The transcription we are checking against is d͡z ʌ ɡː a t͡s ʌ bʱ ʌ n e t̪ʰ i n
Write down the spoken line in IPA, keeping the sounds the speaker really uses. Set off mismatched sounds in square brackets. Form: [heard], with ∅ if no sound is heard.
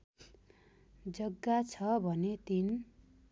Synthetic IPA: d͡z ʌ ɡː a [t͡sʰ] ʌ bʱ ʌ n e [t̪] i n

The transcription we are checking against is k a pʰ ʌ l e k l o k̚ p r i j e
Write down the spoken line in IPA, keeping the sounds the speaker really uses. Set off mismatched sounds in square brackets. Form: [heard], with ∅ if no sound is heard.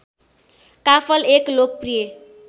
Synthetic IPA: k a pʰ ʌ l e k l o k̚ p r i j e

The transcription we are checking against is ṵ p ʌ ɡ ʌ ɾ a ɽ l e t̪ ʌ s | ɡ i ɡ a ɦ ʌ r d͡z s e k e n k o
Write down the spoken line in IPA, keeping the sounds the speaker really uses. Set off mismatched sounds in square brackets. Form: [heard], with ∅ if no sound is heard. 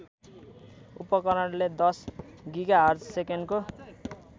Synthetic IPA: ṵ p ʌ [k] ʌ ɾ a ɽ l e [d̪] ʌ s | ɡ i ɡ a ɦ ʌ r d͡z s e k e n k o

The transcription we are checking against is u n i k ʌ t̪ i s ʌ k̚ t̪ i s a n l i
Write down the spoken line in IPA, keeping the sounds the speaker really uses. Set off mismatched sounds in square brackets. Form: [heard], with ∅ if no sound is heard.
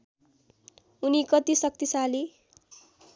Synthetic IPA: u n i k ʌ t̪ i s ʌ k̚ t̪ i s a [∅] l i

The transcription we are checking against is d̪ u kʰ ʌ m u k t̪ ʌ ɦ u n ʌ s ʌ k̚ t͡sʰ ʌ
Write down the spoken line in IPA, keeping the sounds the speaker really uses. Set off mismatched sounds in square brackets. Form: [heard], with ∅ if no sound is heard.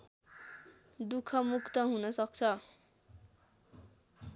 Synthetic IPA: d̪ u kʰ ʌ m u k t̪ ʌ ɦ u n ʌ s ʌ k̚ t͡sʰ ʌ

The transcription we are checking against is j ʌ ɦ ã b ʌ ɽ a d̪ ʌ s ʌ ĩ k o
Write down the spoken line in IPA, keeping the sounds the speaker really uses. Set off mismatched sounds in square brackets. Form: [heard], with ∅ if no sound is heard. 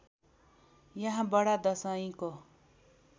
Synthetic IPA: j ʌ ɦ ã b ʌ ɽ a d̪ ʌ s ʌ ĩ k o

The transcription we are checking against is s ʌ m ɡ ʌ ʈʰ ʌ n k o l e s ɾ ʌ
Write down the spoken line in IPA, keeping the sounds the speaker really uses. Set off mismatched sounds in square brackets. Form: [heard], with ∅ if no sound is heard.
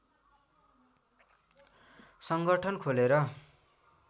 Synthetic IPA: s ʌ [ŋ] ɡ ʌ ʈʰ ʌ n [kʰ] o l e [∅] ɾ ʌ

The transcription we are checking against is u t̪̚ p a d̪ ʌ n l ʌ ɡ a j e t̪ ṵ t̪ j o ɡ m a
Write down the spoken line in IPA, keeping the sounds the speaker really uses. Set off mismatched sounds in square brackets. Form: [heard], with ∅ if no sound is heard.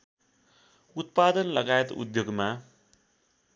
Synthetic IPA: u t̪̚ p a d̪ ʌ n l ʌ ɡ a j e t̪ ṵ [d̪] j o ɡ m a

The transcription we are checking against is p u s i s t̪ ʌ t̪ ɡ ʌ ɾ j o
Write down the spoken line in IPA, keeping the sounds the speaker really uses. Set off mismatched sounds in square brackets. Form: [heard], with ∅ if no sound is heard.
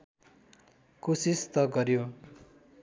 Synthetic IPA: [k] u s i s t̪ ʌ [∅] ɡ ʌ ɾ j o

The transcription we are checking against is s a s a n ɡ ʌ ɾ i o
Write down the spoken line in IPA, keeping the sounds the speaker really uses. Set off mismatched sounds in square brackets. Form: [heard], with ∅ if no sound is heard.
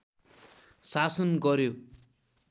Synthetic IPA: s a s [ʌ] n ɡ ʌ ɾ [j] o

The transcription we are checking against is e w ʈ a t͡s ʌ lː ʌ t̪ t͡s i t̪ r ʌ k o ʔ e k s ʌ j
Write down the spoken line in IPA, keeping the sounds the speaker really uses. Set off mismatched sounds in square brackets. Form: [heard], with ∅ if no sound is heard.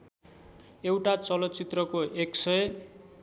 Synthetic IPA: e w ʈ a t͡s ʌ [l] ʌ t̪ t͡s i t̪ r ʌ k o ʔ e k s ʌ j

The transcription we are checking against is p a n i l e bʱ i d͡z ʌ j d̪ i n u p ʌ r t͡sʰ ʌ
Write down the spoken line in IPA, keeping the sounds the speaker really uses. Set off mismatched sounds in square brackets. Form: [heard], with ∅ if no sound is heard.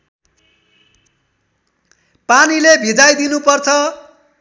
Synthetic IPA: p a n i l e bʱ i d͡z [a] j d̪ i n u p ʌ r t͡sʰ ʌ

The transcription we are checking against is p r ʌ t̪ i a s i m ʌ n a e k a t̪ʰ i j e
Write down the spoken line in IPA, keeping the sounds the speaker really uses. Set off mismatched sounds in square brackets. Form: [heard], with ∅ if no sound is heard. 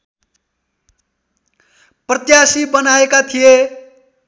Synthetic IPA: p r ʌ t̪ [j] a s i [b] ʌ n a e k a t̪ʰ i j e

